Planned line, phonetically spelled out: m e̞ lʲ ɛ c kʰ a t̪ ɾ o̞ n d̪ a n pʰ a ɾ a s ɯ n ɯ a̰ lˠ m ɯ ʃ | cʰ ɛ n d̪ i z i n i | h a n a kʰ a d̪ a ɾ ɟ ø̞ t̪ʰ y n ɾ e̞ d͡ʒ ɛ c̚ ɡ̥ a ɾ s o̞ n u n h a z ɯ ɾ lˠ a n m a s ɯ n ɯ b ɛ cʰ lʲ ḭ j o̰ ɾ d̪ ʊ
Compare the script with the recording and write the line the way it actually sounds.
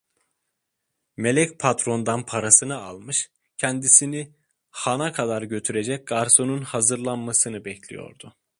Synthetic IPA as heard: m e̞ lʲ ɛ c pʰ a t̪ ɾ o̞ n d̪ a n pʰ a ɾ a s ɯ n ɯ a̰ lˠ m ɯ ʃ | cʰ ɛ n d̪ i s i n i | h a n a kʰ a d̪ a ɾ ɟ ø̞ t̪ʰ y ɾ e̞ d͡ʒ ɛ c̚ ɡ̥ a ɾ s o̞ n u n h a z ɯ ɾ lˠ a n m a s ɯ n ɯ b ɛ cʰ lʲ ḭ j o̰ ɾ d̪ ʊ